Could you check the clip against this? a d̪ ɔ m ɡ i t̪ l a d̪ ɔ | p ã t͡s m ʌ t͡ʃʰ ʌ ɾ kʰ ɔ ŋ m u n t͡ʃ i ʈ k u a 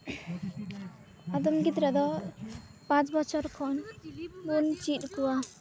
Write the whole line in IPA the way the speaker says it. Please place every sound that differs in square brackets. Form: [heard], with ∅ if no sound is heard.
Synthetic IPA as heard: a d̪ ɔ m ɡ i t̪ [ɾ] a d̪ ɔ | p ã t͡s [b] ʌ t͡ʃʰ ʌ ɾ kʰ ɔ [n] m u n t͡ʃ i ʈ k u a